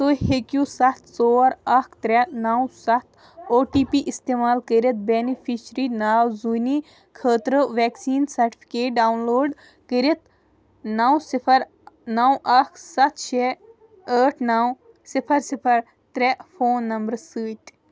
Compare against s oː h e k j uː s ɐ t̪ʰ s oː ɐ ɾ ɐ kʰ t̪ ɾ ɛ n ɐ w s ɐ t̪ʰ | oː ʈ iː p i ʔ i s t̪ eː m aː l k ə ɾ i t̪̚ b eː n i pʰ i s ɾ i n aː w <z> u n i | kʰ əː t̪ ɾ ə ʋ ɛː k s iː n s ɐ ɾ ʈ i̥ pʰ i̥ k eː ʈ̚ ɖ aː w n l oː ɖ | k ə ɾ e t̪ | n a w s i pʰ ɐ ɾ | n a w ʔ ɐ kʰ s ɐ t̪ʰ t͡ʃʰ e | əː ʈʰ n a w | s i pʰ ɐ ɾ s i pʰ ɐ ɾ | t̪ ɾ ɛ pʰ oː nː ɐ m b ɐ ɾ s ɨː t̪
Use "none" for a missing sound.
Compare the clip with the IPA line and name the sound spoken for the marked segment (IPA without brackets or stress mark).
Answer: z